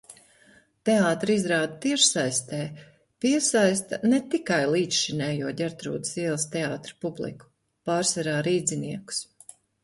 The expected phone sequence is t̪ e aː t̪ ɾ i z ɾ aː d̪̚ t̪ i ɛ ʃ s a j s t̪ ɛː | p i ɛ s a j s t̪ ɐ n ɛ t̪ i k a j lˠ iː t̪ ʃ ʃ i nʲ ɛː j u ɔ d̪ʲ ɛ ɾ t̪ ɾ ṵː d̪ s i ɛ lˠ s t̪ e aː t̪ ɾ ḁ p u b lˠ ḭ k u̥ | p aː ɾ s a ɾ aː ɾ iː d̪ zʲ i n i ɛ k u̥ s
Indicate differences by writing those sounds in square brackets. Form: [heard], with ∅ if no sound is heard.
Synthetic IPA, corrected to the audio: t̪ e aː t̪ ɾ i z ɾ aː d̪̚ t̪ i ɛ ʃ s a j s t̪ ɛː | p i ɛ s a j s t̪ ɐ n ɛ t̪ i k a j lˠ iː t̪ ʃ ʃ i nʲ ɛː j u ɔ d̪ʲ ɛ ɾ t̪ ɾ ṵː d̪ s i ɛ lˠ s t̪ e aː t̪ ɾ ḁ p u b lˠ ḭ k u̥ | p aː ɾ s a ɾ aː ɾ iː d̪ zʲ i n i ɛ k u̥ s